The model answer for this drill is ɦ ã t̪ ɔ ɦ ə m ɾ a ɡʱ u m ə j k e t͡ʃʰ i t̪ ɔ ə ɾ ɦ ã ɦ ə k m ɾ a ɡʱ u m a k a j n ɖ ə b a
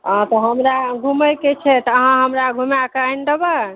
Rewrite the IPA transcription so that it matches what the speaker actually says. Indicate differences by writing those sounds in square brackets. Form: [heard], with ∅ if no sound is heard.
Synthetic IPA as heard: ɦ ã t̪ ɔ ɦ ə m ɾ a ɡʱ u m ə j k e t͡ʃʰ [ɛ] t̪ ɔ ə [∅] ɦ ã ɦ ə [∅] m ɾ a ɡʱ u m a k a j n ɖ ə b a